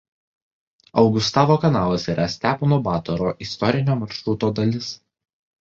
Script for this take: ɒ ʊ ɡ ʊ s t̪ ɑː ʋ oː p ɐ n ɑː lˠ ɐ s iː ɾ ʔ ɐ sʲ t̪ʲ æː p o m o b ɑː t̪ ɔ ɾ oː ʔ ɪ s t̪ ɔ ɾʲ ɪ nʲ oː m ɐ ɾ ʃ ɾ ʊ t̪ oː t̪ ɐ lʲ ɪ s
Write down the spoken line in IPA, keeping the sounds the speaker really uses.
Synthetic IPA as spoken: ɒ ʊ ɡ ʊ s t̪ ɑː ʋ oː k ɐ n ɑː lˠ ɐ s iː ɾ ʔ ɐ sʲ t̪ʲ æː p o n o b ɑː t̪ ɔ ɾ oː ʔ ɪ s t̪ ɔ ɾʲ ɪ nʲ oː m ɐ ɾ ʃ ɾ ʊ t̪ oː d̪ ɐ lʲ ɪ s